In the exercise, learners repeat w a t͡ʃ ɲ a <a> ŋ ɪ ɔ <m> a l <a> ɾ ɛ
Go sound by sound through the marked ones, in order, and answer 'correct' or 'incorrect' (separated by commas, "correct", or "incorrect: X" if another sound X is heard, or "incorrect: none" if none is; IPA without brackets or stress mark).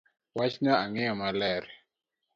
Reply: correct, correct, incorrect: ɛ